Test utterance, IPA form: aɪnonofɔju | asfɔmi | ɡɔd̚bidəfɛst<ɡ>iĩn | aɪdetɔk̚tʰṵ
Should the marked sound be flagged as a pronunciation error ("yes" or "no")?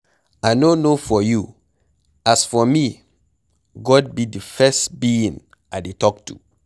yes